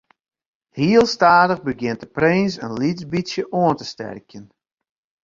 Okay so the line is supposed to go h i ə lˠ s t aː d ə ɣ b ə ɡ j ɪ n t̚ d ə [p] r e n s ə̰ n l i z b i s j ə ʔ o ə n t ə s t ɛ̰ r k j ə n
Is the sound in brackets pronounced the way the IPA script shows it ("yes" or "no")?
yes